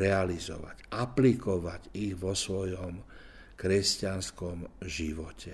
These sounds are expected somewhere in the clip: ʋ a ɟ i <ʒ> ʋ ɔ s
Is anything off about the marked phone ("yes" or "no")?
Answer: yes